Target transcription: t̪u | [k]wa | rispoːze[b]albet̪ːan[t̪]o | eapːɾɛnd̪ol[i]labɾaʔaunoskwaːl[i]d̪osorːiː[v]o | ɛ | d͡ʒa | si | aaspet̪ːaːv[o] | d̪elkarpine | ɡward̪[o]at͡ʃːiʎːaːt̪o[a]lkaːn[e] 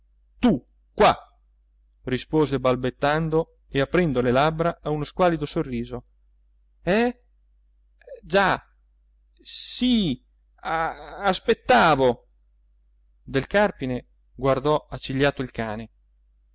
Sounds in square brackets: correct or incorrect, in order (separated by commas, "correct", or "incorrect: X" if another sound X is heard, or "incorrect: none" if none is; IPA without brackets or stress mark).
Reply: correct, correct, incorrect: d̪, incorrect: e, correct, incorrect: z, correct, incorrect: ɔ, incorrect: i, correct